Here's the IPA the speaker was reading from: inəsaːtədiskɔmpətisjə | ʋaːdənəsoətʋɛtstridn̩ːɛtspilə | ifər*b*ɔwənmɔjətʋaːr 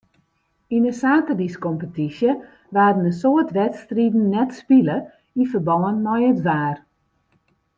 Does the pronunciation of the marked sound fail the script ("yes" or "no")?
no